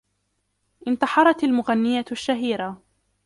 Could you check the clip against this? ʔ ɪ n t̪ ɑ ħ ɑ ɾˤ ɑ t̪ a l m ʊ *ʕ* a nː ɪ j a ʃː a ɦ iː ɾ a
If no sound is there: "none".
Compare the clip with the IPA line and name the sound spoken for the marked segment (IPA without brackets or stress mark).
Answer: ɣ